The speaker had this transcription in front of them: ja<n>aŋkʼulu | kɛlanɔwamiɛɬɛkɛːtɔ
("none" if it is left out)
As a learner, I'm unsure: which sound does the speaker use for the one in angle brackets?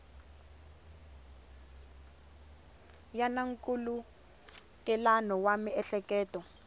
n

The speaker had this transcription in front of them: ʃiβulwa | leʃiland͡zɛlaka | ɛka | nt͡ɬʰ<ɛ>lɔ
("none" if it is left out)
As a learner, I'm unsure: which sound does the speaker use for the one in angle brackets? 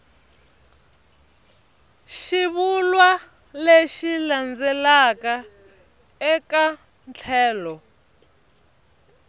ɛː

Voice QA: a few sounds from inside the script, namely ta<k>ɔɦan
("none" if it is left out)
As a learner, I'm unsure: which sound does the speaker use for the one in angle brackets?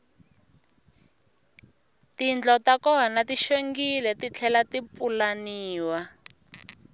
k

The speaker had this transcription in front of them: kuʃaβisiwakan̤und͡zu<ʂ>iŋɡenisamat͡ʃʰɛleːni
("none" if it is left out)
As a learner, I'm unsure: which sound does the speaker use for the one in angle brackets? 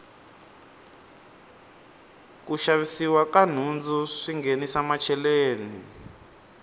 ʂ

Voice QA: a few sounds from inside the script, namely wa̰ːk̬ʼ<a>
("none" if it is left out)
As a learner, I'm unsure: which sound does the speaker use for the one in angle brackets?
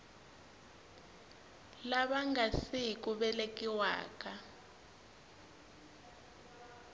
a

